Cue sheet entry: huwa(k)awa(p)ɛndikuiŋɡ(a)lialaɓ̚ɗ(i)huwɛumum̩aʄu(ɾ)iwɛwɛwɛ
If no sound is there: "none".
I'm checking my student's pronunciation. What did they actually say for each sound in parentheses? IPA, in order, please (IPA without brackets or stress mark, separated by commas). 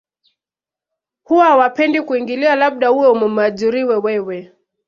none, p, i, a, ɾ